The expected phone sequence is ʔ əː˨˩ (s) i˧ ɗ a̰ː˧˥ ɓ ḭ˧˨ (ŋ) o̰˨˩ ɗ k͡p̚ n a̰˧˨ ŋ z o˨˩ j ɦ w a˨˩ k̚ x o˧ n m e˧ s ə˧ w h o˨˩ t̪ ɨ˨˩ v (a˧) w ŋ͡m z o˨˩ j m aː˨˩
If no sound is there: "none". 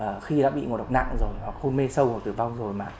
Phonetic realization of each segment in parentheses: x, ŋ, a˧

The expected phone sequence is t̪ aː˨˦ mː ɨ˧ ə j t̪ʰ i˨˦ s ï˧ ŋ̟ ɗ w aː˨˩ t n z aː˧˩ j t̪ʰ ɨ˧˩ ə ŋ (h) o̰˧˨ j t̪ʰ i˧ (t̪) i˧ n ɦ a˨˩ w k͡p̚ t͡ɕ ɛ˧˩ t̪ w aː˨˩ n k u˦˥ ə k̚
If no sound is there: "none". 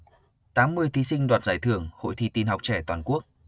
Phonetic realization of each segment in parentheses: h, t̪

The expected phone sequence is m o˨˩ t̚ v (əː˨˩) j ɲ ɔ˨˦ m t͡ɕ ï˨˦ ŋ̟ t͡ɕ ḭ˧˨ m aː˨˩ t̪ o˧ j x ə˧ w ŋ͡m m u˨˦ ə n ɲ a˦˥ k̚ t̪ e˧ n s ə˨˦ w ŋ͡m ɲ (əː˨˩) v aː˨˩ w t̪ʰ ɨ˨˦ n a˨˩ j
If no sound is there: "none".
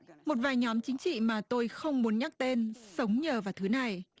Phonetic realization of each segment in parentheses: aː˨˩, əː˨˩

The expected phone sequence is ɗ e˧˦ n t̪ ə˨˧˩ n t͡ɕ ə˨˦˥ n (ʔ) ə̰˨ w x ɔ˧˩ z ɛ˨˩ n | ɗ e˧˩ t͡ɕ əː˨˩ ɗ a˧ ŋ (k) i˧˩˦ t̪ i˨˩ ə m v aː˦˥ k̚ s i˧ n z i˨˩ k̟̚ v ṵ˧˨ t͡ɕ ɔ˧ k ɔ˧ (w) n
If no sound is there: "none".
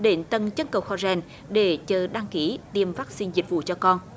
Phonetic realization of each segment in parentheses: k, k, none

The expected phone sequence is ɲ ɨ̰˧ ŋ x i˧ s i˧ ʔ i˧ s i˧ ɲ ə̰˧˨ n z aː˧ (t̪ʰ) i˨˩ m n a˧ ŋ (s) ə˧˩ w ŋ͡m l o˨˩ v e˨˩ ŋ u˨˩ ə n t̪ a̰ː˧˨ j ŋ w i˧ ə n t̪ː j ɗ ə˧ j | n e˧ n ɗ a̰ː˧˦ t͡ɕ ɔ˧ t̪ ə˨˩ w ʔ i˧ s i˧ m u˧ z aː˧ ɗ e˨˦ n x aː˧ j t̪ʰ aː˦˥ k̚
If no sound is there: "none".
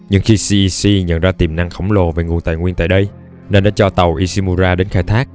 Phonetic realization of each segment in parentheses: t̪, x

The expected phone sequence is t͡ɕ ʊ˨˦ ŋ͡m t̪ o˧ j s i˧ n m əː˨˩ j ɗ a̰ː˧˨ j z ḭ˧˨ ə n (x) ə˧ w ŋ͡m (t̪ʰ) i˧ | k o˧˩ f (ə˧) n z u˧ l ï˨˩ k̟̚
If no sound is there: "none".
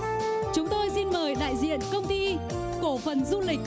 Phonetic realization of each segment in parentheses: k, t̪, ə˨˩

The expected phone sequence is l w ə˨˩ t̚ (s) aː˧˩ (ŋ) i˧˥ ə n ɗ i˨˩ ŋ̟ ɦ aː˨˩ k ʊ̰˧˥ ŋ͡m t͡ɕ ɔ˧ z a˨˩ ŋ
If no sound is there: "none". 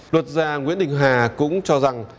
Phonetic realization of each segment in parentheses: z, ŋ

